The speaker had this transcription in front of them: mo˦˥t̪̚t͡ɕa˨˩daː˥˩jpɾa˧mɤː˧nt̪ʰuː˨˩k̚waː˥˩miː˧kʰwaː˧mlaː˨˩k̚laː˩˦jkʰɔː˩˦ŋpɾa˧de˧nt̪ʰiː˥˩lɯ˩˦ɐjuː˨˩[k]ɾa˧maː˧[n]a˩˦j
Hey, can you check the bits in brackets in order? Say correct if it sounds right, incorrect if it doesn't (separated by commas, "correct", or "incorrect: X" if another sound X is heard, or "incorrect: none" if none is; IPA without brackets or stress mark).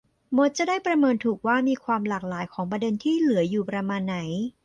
incorrect: p, incorrect: nː